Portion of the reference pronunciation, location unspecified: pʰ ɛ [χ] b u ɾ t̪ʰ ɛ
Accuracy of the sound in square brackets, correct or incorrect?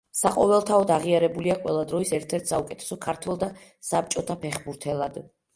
correct